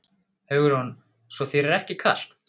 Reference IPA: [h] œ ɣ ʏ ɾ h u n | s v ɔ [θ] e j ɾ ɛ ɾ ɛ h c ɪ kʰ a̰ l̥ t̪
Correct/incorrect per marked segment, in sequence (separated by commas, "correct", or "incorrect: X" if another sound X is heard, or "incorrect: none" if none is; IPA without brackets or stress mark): correct, correct